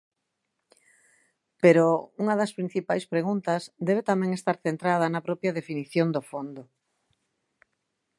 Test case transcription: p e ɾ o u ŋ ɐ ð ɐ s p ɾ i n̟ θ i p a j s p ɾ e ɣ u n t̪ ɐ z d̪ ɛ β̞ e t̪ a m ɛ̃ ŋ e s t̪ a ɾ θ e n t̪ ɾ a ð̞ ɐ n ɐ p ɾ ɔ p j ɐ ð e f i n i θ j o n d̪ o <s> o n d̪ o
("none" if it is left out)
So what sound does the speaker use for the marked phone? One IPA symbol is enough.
f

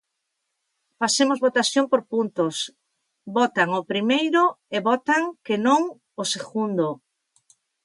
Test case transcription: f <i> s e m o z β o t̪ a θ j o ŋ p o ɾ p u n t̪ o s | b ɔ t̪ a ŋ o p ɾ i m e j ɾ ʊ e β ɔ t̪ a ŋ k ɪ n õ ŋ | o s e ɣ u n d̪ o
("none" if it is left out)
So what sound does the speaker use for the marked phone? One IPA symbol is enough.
a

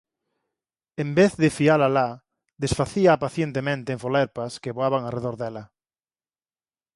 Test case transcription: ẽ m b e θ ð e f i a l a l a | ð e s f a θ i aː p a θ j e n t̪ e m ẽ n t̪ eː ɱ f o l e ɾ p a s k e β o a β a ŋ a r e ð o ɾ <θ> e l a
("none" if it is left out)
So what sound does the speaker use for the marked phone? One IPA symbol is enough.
ð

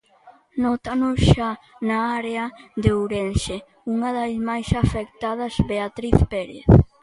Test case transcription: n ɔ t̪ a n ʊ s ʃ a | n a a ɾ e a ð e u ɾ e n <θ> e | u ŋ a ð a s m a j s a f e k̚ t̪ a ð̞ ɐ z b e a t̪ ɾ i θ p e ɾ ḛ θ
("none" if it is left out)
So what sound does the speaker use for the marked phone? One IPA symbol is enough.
ʃ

